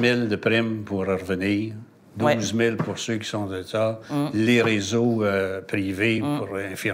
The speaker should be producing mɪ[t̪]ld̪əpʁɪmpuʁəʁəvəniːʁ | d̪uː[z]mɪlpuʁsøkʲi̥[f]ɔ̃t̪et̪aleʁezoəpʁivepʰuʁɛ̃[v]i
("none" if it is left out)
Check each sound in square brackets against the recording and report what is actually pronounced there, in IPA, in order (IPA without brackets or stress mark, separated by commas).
none, z, s, f